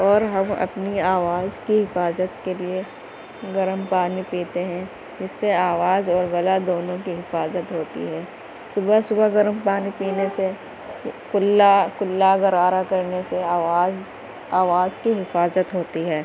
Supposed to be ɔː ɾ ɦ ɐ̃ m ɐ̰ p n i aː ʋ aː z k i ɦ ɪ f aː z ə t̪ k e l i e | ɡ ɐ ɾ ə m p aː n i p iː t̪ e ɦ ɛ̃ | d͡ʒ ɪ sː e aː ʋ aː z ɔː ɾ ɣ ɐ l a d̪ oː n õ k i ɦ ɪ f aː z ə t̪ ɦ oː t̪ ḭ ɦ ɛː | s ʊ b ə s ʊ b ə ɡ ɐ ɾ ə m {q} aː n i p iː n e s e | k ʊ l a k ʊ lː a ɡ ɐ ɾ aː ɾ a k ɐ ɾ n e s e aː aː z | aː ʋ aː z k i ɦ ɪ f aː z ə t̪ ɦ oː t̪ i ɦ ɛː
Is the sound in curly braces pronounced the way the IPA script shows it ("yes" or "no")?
no